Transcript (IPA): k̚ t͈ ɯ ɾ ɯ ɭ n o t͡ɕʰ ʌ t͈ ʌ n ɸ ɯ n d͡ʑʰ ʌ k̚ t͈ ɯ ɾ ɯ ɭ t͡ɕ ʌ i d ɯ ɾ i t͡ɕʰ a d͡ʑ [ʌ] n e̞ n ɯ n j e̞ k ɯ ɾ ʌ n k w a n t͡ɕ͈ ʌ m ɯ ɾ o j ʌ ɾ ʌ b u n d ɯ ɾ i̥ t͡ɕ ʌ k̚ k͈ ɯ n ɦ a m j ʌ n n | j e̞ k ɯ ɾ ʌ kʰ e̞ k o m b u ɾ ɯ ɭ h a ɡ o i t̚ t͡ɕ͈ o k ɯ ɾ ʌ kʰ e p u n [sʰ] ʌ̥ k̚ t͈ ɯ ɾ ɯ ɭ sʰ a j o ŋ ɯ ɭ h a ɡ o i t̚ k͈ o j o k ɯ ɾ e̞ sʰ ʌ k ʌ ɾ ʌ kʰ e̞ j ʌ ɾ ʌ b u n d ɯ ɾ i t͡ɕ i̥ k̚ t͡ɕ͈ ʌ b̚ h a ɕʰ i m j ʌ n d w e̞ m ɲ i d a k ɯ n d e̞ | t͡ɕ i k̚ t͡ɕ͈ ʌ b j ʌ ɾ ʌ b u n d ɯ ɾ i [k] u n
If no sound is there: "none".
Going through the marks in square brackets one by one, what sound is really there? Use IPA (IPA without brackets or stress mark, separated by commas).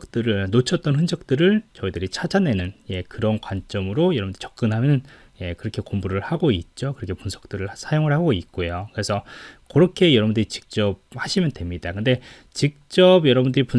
a, sʰ, p